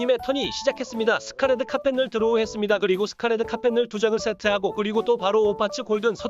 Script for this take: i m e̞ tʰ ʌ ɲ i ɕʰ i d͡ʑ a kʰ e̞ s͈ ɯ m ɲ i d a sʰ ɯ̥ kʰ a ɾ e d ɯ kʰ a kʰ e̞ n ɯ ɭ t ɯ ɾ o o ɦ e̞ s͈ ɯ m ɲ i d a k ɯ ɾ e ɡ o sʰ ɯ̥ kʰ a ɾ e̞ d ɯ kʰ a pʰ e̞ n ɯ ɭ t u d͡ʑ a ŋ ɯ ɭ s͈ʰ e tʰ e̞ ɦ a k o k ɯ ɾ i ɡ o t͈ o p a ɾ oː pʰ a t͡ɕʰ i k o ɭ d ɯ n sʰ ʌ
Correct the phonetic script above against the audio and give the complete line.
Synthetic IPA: i m e̞ tʰ ʌ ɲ i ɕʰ i d͡ʑ a kʰ e̞ s͈ ɯ m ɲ i d a sʰ ɯ̥ kʰ a ɾ e d ɯ kʰ a pʰ e̞ n ɯ ɭ t ɯ ɾ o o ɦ e̞ s͈ ɯ m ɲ i d a k ɯ ɾ i ɡ o sʰ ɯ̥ kʰ a ɾ e̞ d ɯ kʰ a pʰ e̞ n ɯ ɭ t u d͡ʑ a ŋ ɯ ɭ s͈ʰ e tʰ e̞ ɦ a ɡ o k ɯ ɾ i ɡ o t͈ o p a ɾ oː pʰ a t͡ɕʰ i k o ɭ d ɯ n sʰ ʌ